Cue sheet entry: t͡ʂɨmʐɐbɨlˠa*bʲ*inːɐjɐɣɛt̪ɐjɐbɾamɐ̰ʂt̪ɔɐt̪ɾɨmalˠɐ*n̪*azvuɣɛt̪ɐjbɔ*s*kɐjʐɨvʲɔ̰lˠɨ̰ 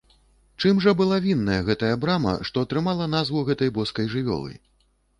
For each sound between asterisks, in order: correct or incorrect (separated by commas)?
incorrect, correct, correct